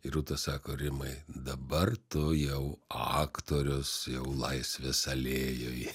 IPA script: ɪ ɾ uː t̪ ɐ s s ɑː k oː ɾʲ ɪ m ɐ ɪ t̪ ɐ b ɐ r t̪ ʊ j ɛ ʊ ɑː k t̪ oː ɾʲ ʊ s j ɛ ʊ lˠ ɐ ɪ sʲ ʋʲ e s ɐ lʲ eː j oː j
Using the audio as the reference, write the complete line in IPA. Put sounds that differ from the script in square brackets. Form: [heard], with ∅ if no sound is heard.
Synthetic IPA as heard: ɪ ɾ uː t̪ ɐ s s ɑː k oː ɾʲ ɪ m ɐ ɪ [d̪] ɐ b ɐ r t̪ ʊ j ɛ ʊ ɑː k t̪ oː ɾʲ ʊ s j ɛ ʊ lˠ ɐ ɪ sʲ ʋʲ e s ɐ lʲ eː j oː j